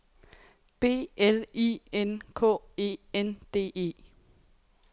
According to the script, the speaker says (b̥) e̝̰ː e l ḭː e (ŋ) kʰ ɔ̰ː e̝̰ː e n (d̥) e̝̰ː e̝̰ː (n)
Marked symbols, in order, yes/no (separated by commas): yes, no, yes, no